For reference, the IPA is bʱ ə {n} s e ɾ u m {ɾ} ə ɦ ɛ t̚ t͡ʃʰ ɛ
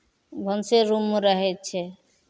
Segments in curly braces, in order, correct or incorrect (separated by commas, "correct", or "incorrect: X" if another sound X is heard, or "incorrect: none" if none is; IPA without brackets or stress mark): correct, correct